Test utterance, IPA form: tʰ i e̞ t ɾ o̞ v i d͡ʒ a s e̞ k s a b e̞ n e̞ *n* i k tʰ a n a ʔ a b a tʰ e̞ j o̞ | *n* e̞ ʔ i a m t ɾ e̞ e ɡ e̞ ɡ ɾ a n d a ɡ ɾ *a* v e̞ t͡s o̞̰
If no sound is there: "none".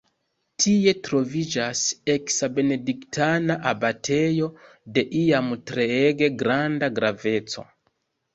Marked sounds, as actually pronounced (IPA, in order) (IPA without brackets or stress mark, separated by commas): d, d, a